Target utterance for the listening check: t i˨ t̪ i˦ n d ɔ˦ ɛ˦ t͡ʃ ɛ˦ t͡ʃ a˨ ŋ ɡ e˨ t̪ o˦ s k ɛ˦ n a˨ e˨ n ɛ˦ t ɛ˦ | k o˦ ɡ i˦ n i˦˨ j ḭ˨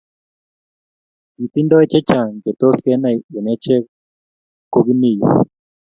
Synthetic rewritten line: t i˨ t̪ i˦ n d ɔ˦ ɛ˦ t͡ʃ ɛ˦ t͡ʃ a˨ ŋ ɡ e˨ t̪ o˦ s k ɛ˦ n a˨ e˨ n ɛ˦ t͡ʃ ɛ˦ | k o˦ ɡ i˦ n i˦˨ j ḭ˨